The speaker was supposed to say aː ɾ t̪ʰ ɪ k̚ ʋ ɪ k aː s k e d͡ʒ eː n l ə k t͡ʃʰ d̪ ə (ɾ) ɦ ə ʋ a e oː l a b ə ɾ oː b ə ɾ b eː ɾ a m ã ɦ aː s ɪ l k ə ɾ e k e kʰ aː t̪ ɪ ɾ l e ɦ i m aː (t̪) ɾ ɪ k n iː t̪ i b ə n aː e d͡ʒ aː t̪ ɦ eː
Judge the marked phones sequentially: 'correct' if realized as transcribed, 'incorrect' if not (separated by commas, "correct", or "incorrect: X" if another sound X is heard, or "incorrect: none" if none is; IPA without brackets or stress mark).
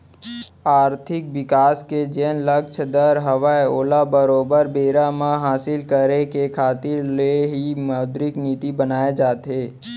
correct, incorrect: d̪